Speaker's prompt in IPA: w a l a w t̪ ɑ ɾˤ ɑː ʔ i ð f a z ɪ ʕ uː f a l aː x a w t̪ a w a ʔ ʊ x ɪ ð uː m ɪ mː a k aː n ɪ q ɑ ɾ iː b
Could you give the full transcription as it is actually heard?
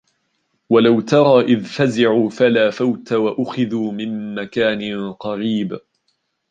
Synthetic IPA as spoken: w a l a w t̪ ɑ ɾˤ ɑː ʔ ɪ ð f a z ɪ ʕ uː f a l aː f a w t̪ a w a ʔ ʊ x ɪ ð uː m ɪ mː a k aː n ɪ q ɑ ɾ iː b